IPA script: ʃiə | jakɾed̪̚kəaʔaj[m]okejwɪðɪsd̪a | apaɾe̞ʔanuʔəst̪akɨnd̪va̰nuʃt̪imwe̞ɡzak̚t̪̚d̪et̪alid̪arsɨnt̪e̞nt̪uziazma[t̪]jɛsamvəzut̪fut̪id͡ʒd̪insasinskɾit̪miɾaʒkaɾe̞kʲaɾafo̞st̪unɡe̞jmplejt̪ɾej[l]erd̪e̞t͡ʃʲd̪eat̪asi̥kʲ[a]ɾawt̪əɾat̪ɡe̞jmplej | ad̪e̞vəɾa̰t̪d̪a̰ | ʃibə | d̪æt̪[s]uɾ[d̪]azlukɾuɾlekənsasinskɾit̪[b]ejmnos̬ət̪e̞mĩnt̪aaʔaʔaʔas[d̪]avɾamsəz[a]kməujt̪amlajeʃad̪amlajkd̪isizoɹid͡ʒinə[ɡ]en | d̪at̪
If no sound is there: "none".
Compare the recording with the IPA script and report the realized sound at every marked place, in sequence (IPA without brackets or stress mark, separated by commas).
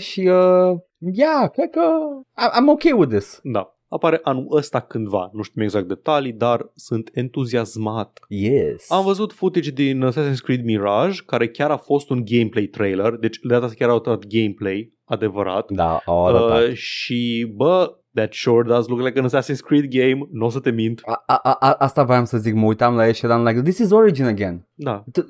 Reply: m, t̪, l, a, ʃ, d̪, ɡ, t̪, i, ɡ